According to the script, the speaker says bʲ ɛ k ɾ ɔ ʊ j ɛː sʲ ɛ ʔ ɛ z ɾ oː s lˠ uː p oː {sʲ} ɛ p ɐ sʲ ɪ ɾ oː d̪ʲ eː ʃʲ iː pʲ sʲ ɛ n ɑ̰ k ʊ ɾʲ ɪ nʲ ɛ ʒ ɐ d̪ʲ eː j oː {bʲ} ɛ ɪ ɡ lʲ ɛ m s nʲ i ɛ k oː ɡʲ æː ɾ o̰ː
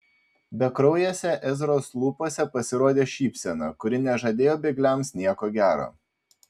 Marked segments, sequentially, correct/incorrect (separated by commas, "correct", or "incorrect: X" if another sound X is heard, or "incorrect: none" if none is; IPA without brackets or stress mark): correct, correct